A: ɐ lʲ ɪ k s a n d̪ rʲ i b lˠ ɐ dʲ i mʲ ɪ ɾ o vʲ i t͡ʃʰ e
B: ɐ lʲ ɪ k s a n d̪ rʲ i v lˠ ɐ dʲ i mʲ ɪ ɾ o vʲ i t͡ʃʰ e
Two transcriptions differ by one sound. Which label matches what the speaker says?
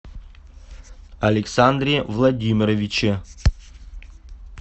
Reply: B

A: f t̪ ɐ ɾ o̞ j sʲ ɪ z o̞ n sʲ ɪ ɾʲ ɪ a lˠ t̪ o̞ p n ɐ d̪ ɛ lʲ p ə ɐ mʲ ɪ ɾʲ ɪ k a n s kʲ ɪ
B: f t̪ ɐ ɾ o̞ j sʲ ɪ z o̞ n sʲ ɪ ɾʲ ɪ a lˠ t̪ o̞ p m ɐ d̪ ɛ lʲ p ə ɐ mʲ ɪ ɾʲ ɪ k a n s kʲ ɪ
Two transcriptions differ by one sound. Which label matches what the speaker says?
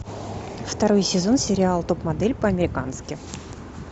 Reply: B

